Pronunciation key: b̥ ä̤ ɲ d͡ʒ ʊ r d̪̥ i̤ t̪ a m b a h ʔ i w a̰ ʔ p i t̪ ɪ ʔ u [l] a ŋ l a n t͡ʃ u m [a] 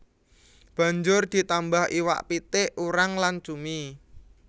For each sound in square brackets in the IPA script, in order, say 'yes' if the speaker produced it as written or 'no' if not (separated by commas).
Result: no, no